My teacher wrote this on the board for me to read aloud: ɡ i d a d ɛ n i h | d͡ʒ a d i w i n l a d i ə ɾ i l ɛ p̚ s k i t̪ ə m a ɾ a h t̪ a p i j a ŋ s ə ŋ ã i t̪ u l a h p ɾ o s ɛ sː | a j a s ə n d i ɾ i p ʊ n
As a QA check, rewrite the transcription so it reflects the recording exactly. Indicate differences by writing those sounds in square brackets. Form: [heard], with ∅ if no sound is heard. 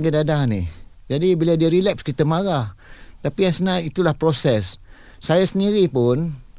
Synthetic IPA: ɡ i d a d [a] n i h | d͡ʒ a d i [b] i [∅] l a d i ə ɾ i l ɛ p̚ s k i t̪ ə m a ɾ a h t̪ a p i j a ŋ s ə [n] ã i t̪ u l a h p ɾ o s ɛ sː | a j a s ə n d i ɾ i p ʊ n